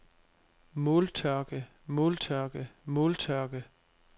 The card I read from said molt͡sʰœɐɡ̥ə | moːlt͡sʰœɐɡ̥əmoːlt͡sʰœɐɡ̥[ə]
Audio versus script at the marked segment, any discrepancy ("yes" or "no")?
no